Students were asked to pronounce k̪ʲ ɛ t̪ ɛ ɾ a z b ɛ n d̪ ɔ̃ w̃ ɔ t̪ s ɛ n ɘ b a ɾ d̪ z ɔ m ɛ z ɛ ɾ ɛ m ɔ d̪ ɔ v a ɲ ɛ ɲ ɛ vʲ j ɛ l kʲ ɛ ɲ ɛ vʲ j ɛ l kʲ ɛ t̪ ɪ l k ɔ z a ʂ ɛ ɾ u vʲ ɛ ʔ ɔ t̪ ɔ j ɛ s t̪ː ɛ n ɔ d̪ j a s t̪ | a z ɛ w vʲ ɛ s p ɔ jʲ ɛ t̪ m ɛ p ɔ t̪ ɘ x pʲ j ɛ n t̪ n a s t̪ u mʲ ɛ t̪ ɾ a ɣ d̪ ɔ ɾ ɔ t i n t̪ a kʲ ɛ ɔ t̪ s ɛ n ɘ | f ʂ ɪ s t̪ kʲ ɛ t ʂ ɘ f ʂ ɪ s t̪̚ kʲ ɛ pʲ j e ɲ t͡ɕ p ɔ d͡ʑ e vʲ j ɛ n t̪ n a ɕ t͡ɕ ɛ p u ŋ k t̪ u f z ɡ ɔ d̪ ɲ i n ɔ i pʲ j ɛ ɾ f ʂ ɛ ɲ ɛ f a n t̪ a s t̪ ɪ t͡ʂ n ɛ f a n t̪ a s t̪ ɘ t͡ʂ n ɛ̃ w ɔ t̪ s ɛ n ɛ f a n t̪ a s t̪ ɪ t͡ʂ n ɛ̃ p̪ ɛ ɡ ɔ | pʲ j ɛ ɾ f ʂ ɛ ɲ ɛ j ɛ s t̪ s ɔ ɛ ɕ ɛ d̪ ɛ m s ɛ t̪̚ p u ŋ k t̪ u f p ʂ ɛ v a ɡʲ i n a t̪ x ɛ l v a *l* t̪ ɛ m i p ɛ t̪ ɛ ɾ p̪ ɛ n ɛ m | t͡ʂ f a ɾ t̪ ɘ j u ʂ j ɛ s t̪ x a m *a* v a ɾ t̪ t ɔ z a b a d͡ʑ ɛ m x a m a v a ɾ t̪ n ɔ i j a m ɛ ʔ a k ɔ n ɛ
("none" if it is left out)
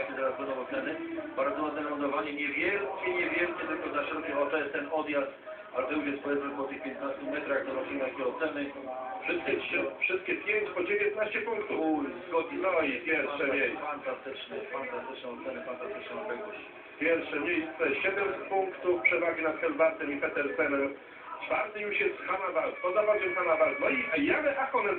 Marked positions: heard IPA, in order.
ɾ, a

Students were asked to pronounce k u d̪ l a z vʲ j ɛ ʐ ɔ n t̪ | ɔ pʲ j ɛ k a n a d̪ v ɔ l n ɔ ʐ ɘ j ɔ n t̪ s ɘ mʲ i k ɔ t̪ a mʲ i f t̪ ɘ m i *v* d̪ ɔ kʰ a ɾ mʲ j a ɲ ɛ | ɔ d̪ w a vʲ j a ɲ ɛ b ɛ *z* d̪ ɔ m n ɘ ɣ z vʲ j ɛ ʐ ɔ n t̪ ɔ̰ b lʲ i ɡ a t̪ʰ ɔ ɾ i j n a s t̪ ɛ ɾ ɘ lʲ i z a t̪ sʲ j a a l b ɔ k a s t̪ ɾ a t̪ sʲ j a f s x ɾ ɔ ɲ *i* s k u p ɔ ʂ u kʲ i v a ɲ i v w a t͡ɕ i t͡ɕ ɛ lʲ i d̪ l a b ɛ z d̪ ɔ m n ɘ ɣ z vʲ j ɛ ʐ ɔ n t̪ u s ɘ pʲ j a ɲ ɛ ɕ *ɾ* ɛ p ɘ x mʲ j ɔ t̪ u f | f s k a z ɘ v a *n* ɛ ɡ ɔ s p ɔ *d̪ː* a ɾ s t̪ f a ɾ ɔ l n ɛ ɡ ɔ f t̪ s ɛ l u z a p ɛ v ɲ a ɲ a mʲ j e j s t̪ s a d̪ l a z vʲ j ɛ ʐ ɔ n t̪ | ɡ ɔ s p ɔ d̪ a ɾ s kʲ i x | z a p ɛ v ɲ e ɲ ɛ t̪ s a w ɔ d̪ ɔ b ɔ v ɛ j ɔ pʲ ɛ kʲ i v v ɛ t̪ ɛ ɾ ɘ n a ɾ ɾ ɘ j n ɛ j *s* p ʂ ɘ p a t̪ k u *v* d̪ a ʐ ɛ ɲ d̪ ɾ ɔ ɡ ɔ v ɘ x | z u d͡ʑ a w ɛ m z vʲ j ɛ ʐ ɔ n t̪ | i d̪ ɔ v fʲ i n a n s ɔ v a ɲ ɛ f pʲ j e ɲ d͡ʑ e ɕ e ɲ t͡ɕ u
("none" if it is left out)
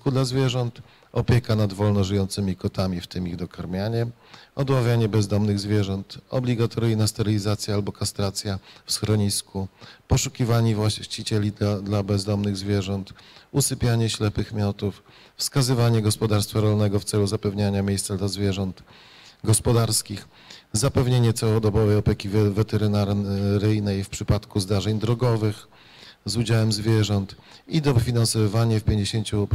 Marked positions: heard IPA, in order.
ɣ, z, i, l, ɲ, d̪, f, z

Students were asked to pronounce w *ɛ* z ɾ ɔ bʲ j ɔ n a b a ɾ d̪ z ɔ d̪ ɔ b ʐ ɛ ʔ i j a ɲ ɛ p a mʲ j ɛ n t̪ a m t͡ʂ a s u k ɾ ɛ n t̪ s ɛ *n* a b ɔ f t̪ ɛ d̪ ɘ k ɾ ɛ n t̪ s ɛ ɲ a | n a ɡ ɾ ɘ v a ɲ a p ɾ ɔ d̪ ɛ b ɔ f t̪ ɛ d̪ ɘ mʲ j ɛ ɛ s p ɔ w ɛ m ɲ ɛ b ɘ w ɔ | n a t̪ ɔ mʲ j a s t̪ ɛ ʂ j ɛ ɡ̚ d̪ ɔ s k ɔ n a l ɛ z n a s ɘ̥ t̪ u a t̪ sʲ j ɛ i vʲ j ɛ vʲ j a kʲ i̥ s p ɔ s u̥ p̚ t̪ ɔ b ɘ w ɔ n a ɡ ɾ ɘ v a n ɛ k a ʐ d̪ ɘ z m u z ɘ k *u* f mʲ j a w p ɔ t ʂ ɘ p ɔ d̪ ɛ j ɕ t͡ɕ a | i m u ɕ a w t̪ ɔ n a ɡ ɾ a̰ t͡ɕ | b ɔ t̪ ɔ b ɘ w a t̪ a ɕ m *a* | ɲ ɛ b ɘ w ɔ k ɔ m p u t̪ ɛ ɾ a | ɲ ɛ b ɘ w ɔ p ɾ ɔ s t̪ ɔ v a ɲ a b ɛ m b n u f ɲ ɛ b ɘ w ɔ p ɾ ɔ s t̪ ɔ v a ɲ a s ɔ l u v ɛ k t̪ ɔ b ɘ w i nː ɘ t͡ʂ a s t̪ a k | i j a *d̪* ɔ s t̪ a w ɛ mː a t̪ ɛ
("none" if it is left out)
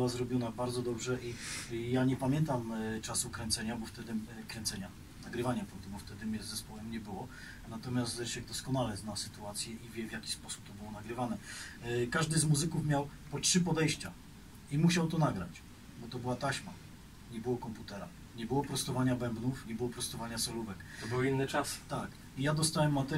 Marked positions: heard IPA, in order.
a, ɲ, u, a, d̪

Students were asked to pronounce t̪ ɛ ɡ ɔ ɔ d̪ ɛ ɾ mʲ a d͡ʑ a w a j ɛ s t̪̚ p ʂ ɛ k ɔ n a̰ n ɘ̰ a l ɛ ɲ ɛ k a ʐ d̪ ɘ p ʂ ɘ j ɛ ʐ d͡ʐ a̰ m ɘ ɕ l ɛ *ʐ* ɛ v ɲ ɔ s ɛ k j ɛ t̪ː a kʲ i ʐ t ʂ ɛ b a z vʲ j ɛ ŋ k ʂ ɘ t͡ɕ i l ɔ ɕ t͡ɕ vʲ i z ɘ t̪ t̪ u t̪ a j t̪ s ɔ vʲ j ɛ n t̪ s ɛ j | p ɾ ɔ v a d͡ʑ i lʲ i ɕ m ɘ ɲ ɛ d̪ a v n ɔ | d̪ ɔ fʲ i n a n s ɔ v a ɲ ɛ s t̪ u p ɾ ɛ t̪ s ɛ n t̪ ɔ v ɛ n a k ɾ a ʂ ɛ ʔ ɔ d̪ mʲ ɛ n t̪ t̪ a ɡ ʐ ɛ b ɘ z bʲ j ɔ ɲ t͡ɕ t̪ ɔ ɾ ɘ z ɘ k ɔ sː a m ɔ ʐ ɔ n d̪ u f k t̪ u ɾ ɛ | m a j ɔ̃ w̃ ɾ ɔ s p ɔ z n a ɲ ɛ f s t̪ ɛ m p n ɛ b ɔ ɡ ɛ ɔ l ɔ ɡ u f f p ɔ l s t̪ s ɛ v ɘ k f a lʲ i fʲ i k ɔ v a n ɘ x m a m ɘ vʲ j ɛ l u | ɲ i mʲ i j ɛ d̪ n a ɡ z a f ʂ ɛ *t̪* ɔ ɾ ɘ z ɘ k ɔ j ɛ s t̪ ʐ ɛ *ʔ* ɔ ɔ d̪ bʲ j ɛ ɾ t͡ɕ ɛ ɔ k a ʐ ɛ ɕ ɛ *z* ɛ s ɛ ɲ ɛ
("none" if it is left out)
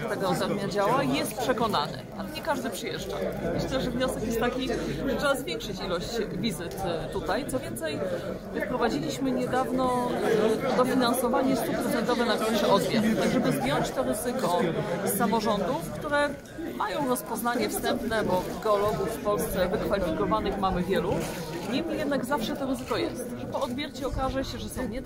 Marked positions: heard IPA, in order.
ʐ, t̪, p, ʐ

